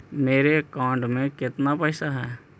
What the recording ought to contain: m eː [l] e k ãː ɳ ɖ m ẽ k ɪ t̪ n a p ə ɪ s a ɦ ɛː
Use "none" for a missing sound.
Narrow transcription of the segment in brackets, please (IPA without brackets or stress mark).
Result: ɾ